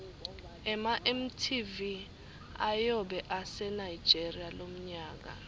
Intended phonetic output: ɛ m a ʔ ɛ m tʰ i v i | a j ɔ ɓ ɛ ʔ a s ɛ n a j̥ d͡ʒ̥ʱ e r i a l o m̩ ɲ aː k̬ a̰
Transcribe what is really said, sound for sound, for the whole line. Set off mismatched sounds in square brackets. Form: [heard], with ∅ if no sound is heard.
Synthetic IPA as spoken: ɛ m a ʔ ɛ m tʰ i v i | a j ɔ ɓ ɛ ʔ a s ɛ n a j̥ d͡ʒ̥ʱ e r i a l o m̩ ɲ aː k̬ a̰